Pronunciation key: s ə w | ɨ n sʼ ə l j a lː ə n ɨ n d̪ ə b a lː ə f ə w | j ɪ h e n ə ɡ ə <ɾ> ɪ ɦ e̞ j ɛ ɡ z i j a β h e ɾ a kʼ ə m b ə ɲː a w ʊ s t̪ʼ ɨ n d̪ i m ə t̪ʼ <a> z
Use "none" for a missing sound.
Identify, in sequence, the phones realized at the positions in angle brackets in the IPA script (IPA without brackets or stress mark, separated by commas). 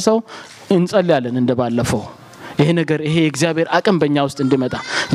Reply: ɾ, a